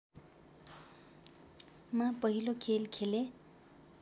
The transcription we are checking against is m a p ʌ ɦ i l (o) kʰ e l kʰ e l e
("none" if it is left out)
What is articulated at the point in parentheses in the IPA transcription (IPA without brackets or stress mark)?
o